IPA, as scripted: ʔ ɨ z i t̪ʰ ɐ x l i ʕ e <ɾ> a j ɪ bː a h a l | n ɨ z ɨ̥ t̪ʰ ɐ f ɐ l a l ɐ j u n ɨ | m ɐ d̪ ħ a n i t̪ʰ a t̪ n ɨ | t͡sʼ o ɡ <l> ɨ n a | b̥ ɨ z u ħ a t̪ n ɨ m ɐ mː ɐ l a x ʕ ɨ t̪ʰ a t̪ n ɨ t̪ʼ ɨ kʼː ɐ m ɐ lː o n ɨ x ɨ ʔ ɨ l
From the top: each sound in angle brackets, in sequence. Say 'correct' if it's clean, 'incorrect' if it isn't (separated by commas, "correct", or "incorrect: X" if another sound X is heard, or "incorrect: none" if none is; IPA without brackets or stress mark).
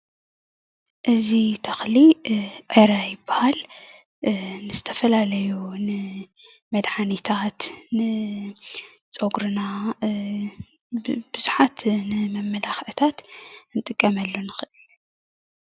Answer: correct, incorrect: ɾ